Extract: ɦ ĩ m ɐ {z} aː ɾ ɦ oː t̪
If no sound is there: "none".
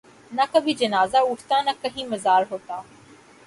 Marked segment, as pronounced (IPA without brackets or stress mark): z